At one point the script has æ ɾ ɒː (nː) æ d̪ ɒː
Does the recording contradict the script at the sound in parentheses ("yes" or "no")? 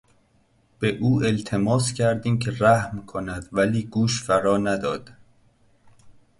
yes